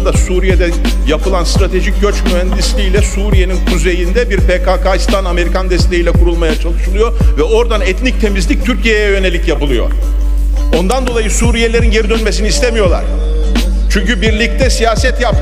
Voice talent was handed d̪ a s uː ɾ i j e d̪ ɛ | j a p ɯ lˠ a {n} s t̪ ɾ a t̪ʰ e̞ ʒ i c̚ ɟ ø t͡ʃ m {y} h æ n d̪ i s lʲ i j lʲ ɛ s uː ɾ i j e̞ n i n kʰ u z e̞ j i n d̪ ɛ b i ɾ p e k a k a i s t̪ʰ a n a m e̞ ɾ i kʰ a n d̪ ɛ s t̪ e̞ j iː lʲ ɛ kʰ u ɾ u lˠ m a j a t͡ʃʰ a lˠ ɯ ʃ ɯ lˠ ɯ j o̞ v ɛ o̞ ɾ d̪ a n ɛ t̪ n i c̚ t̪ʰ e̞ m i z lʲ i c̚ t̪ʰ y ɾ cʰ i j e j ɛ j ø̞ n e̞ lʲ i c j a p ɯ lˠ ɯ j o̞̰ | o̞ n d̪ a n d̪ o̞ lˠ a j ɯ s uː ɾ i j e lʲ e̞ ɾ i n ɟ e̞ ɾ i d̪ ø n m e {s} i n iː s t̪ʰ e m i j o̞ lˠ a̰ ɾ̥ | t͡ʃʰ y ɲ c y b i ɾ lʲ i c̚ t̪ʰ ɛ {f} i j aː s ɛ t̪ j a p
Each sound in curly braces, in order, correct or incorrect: correct, correct, correct, incorrect

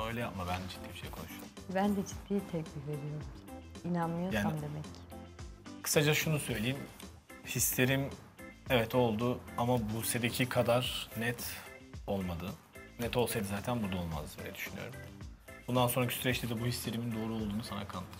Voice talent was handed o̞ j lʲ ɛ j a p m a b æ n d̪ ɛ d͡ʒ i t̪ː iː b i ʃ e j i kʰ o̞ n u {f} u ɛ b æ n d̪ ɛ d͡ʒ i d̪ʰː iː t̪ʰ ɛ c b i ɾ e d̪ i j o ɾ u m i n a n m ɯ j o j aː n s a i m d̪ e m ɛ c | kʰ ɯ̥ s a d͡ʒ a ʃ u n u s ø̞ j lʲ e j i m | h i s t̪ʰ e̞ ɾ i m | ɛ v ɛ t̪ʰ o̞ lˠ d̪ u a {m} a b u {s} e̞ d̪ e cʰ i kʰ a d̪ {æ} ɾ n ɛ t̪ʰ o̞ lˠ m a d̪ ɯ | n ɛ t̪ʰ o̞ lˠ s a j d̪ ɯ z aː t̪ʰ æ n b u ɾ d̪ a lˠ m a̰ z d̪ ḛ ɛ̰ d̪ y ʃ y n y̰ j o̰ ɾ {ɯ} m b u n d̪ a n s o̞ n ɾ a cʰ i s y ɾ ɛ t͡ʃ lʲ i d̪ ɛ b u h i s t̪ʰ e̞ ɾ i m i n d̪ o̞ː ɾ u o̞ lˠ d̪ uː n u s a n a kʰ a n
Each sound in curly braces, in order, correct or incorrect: incorrect, correct, correct, incorrect, incorrect

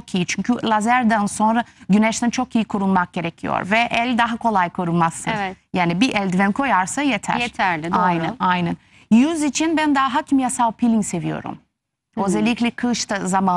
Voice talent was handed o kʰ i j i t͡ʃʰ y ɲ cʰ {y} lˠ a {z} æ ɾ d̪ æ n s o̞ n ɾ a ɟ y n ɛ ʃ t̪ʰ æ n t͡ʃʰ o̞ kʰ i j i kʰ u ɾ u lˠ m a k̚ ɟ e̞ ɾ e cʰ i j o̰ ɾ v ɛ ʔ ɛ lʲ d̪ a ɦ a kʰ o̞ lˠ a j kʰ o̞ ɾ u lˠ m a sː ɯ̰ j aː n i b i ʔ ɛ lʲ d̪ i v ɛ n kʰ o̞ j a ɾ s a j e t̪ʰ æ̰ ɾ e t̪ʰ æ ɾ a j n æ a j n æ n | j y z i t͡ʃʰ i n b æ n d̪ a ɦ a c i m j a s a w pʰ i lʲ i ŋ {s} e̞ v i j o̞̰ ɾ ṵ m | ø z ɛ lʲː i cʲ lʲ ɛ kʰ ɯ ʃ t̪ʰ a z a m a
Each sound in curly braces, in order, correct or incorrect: correct, correct, correct

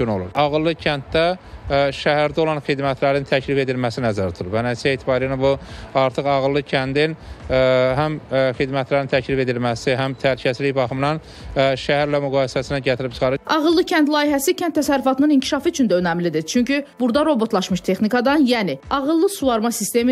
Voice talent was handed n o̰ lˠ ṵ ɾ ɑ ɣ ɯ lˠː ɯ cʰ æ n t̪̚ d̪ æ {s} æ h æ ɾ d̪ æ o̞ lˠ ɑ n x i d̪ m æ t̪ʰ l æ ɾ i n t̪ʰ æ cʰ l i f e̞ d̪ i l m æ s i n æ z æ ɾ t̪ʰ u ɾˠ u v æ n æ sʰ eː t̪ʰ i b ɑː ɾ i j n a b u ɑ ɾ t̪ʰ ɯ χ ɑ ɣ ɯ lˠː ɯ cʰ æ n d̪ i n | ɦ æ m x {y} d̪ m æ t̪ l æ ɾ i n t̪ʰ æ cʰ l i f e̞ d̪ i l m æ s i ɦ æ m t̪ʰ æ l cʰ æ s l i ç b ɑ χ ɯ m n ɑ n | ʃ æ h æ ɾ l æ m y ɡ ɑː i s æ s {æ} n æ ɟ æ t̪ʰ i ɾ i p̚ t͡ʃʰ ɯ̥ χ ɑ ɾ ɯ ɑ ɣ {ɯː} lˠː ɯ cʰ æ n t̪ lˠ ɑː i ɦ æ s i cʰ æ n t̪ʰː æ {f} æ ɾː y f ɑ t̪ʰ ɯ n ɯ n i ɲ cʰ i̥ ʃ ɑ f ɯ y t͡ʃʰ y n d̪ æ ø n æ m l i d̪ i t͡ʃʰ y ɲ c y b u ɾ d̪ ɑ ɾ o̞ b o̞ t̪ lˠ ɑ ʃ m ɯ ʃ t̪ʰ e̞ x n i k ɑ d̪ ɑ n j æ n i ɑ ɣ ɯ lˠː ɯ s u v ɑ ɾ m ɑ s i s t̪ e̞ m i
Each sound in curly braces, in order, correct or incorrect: incorrect, incorrect, incorrect, incorrect, incorrect

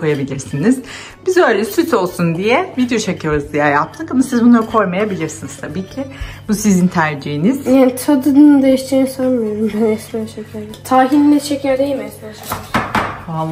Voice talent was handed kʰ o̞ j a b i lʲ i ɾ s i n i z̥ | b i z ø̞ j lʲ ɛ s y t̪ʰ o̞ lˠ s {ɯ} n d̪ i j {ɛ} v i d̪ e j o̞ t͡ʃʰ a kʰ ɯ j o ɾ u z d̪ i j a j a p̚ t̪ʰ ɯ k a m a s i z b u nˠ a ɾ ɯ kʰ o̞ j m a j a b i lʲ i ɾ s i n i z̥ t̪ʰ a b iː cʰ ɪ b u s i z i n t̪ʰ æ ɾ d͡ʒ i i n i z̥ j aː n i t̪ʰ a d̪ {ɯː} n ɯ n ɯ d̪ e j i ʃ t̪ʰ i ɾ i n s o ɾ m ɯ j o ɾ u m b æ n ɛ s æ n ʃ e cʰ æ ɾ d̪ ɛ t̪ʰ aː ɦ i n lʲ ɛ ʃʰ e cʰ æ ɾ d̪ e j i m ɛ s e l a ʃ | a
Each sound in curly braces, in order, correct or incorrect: incorrect, correct, incorrect

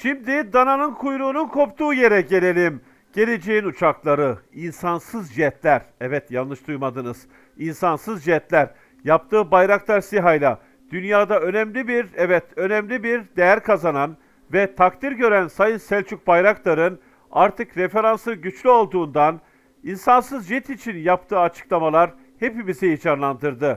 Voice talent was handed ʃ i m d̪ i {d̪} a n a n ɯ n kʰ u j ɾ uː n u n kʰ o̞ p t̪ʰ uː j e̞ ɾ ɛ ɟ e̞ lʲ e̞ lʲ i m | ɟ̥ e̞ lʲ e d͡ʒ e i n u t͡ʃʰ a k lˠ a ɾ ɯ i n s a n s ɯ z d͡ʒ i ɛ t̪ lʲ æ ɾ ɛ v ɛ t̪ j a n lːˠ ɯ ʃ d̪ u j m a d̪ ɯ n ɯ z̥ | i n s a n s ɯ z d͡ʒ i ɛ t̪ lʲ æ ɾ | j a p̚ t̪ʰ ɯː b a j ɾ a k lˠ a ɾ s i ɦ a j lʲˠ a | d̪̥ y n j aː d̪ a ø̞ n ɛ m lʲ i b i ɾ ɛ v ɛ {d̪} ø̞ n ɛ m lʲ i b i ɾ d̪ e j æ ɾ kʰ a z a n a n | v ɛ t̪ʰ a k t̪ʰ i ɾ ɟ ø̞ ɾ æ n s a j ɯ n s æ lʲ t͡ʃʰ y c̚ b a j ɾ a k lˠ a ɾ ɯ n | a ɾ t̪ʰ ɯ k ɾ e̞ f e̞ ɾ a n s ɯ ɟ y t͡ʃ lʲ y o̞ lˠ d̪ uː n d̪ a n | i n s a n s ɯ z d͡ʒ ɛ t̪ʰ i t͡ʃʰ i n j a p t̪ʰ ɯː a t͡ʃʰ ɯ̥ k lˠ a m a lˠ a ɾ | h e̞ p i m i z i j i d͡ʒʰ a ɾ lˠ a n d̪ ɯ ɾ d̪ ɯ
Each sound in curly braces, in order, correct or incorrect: correct, incorrect

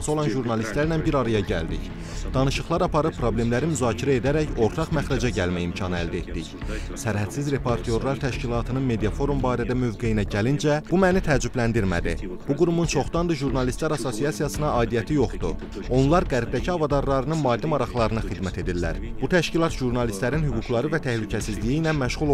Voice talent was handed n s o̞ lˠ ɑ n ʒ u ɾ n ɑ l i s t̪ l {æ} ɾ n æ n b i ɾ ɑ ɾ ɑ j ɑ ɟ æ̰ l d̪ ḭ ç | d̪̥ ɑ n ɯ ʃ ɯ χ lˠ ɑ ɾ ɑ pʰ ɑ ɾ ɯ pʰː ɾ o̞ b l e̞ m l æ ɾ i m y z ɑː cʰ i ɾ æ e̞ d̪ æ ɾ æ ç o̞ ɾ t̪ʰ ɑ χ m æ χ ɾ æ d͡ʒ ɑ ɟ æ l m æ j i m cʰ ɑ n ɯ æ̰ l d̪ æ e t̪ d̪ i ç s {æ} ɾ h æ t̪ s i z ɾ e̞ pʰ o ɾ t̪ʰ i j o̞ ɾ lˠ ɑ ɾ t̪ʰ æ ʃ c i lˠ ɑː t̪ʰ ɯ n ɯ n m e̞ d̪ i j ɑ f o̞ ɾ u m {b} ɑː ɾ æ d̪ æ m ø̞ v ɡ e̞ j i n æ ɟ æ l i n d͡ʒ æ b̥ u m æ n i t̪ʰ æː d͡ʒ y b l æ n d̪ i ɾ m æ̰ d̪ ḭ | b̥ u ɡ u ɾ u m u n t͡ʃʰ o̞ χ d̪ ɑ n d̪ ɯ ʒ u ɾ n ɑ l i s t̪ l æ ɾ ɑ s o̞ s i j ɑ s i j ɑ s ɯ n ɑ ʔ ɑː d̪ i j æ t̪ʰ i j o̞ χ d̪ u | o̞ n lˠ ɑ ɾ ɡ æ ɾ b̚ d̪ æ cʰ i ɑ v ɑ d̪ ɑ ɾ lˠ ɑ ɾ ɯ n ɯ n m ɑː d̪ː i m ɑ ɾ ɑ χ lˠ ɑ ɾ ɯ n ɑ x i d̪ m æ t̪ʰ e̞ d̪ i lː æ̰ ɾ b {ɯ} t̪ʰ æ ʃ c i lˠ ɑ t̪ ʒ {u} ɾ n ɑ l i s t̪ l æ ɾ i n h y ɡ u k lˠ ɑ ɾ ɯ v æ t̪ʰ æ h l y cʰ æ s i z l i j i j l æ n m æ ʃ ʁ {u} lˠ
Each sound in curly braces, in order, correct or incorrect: correct, correct, correct, incorrect, correct, correct

